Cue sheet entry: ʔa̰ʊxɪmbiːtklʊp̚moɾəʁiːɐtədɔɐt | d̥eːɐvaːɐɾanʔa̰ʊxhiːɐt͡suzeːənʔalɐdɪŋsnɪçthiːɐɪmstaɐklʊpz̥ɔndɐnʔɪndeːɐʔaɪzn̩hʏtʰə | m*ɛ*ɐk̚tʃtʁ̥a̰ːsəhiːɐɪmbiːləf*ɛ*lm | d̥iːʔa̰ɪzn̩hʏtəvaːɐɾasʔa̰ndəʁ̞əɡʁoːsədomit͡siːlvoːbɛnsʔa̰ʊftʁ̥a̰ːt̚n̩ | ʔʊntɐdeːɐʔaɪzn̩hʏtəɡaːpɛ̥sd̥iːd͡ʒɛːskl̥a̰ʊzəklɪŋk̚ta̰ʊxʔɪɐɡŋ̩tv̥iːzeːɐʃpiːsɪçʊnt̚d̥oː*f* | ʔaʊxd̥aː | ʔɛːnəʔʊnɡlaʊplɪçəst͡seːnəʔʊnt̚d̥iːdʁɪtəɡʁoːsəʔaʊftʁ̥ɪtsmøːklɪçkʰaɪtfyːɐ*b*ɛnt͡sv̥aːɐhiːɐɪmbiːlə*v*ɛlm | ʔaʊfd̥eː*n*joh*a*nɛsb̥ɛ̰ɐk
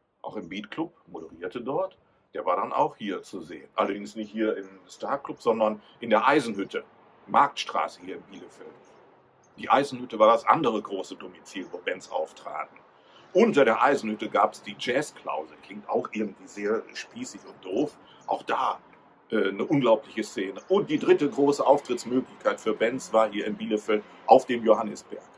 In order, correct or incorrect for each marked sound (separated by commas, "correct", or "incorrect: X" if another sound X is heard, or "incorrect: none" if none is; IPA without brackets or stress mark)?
incorrect: a, correct, correct, correct, incorrect: f, incorrect: m, correct